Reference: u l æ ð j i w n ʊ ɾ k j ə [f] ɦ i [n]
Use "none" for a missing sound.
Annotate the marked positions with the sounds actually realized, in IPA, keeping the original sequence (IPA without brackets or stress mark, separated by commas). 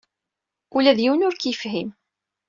f, m